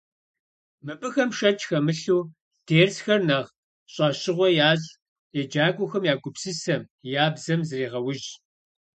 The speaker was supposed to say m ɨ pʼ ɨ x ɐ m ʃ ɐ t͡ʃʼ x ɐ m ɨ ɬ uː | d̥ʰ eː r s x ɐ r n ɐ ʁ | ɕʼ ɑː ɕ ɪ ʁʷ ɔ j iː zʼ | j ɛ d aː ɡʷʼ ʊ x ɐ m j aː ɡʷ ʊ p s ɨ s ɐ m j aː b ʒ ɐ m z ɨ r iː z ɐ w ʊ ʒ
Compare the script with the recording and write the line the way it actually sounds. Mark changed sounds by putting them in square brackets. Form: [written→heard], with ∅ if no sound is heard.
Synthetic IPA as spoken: m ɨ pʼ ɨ x ɐ m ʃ ɐ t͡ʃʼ x ɐ m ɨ ɬ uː | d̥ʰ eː r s x ɐ r n ɐ ʁ | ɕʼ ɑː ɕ ɪ ʁʷ ɔ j [iː→aː] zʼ | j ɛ [d→d͡ʒ] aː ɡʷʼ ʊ x ɐ m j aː ɡʷ ʊ p s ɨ s ɐ m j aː b [ʒ→z] ɐ m z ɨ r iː [z→ʁ] ɐ w ʊ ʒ

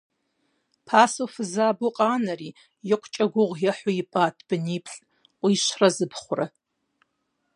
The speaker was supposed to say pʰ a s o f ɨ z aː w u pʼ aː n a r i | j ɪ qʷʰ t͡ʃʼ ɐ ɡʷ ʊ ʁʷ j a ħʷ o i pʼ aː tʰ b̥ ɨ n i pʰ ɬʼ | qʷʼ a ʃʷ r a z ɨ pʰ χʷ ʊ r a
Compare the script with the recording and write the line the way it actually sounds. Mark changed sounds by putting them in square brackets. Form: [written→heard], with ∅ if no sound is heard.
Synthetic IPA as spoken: pʰ a s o f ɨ z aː [w→b] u [pʼ→qʼ] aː n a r i | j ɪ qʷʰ t͡ʃʼ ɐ ɡʷ ʊ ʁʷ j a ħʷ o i pʼ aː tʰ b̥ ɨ n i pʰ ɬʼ | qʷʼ [a→i] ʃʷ r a z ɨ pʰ χʷ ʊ r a

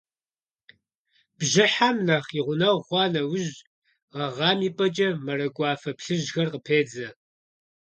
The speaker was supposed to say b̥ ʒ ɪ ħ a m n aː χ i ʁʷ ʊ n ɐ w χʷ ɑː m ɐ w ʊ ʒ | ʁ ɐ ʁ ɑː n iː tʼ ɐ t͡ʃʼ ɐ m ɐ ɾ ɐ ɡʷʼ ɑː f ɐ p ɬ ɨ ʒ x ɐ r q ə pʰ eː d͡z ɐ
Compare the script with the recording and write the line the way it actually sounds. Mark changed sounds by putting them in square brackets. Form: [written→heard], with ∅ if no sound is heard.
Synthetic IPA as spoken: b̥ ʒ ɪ ħ a m n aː χ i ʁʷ ʊ n ɐ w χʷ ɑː [m→n] ɐ w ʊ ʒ | ʁ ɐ ʁ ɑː [n→m] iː [tʼ→pʼ] ɐ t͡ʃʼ ɐ m ɐ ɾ ɐ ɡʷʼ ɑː f ɐ p ɬ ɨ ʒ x ɐ r q ə pʰ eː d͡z ɐ

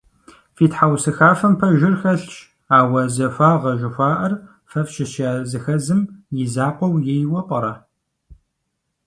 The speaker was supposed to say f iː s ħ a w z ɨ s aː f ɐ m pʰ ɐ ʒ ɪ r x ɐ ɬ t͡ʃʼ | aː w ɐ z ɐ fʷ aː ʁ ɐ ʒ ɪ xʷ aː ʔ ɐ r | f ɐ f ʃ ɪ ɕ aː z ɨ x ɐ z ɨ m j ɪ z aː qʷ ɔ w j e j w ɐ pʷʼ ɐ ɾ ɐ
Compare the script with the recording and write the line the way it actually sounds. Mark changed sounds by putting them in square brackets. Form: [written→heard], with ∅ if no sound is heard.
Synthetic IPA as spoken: f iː [s→t] ħ a w [z→s] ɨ [s→x] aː f ɐ m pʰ ɐ ʒ ɪ r x ɐ ɬ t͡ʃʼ | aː w ɐ z ɐ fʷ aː ʁ ɐ ʒ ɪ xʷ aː ʔ ɐ r | f ɐ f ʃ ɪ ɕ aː z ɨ x ɐ z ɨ m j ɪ z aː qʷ ɔ w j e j w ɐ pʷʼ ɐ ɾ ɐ

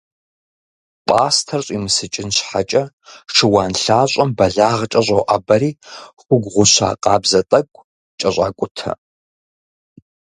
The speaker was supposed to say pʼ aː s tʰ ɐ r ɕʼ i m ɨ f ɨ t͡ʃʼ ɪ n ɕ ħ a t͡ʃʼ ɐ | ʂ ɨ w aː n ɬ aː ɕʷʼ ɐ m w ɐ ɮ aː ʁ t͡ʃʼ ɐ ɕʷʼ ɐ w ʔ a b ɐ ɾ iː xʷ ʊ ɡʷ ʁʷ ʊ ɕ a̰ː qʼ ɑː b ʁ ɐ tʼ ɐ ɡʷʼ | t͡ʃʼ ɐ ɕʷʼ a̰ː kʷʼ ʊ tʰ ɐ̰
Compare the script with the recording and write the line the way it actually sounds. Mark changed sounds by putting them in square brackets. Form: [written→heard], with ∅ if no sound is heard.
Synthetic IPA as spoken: pʼ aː s tʰ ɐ r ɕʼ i m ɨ [f→s] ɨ t͡ʃʼ ɪ n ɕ ħ a t͡ʃʼ ɐ | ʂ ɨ w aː n ɬ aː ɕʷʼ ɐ m [w→b] ɐ ɮ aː ʁ t͡ʃʼ ɐ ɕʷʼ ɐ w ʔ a b ɐ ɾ iː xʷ ʊ ɡʷ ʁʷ ʊ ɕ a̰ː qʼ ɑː b [ʁ→z] ɐ tʼ ɐ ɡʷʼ | t͡ʃʼ ɐ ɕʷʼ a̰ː kʷʼ ʊ tʰ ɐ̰

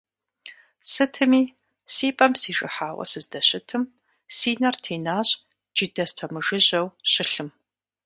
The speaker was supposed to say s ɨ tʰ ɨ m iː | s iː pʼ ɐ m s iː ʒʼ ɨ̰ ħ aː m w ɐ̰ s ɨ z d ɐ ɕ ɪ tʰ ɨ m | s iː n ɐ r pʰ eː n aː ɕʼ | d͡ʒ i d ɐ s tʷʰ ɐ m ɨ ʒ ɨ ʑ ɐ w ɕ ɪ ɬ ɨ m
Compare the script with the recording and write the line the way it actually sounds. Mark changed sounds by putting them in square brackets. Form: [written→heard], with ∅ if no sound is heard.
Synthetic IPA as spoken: s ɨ tʰ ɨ m iː | s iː pʼ ɐ m s iː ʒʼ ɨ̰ ħ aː [m→∅] w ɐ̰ s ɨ z d ɐ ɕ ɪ tʰ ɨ m | s iː n ɐ r [pʰ→tʰ] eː n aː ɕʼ | d͡ʒ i d ɐ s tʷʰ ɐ m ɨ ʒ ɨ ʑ ɐ w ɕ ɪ ɬ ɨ m

